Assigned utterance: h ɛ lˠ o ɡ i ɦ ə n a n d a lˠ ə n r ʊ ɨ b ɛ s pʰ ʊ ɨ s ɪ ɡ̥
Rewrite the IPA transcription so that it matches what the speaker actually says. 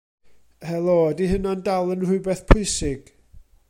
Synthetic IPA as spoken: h ɛ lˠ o d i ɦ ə n a n d a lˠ ə n r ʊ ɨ b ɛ θ pʰ ʊ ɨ s ɪ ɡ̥